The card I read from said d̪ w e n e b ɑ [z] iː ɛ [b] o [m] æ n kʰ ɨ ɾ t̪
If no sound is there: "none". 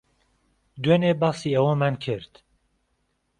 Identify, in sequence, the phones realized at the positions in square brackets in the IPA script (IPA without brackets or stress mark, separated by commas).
s, w, m